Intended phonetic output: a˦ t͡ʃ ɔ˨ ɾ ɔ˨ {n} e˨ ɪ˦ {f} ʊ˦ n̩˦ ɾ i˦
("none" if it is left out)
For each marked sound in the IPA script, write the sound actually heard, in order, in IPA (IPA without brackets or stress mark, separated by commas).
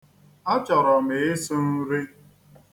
m, s